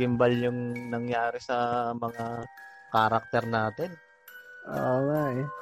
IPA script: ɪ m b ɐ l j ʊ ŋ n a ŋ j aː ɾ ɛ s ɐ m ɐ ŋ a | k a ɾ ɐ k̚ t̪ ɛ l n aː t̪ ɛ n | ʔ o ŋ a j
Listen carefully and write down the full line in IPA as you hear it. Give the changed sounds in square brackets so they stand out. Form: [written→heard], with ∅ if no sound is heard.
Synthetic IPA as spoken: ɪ m b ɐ l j ʊ ŋ n [a→ɐ] ŋ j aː ɾ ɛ s ɐ m ɐ ŋ a | k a ɾ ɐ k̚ t̪ ɛ [l→ɾ] n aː t̪ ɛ n | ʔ o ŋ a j